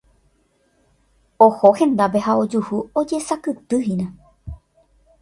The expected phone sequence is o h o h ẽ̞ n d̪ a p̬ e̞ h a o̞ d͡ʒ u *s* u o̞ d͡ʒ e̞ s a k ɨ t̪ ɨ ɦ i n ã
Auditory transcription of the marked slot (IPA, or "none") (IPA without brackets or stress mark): h